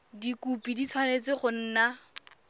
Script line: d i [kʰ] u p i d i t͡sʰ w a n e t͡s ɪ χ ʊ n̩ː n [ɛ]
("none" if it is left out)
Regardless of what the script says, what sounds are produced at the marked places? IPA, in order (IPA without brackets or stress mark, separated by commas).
k, a